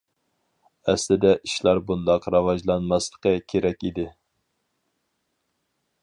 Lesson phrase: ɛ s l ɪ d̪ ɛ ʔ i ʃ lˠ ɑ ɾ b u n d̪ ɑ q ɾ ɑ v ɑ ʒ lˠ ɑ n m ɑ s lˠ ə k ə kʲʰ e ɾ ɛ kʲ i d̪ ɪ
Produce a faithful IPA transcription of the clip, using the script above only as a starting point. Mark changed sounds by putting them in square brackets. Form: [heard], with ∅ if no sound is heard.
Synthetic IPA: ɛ s l ɪ d̪ ɛ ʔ i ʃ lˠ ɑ ɾ b u n d̪ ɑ q ɾ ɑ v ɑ ʒ lˠ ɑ n m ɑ s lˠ ə [q] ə kʲʰ e ɾ ɛ kʲ i d̪ ɪ